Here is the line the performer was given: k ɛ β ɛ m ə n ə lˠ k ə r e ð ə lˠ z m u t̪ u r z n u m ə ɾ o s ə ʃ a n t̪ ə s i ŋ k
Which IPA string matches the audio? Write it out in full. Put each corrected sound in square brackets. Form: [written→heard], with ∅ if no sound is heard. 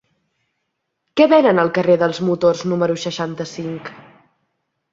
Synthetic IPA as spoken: k ɛ β ɛ [m→n] ə n ə lˠ k ə r e ð ə lˠ z m u t̪ [u→o] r z n u m ə ɾ [o→u] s ə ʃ a n t̪ ə s i ŋ k